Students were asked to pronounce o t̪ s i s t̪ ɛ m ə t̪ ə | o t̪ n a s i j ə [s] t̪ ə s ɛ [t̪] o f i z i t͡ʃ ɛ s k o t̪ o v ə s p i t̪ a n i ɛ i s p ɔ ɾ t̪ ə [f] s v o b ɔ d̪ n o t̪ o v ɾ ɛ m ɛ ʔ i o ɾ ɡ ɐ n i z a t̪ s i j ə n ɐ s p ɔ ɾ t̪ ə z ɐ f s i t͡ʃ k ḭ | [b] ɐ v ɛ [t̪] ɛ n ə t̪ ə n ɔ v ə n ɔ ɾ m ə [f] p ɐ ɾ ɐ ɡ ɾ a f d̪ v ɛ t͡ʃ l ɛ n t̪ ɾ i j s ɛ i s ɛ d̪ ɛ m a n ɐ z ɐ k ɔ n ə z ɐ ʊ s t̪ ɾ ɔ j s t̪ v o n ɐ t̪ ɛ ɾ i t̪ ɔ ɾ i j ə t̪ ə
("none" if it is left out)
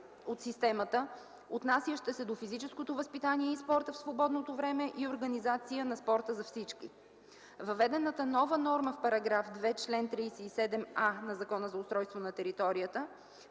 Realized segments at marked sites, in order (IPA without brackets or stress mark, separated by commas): ʃ, d̪, f, v, d̪, f